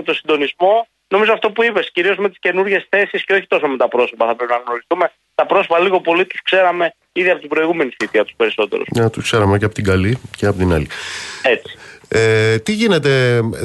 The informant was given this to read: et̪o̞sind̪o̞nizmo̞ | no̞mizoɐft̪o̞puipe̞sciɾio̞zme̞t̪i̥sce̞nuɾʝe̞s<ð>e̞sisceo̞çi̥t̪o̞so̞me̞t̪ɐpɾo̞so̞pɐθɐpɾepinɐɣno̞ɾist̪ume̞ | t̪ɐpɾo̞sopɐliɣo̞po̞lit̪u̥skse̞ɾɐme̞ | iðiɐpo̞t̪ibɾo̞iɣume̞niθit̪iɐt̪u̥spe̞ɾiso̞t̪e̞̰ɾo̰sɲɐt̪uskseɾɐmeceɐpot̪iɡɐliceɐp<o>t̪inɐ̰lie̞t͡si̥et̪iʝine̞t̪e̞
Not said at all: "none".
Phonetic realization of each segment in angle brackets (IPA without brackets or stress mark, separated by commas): θ, o